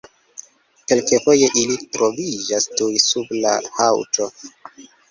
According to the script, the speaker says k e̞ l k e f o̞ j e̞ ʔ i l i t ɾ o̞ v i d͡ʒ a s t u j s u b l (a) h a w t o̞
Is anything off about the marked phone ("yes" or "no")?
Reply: no